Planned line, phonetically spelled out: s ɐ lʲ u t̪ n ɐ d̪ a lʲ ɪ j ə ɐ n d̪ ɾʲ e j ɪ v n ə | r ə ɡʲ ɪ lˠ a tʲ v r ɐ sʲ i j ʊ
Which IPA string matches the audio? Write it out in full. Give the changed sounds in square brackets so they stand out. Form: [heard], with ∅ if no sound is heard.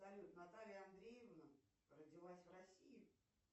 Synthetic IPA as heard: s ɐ lʲ u t̪ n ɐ [t̪] a lʲ ɪ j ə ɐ n d̪ ɾʲ e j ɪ v n ə | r ə [dʲ] ɪ lˠ a [sʲ] v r ɐ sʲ i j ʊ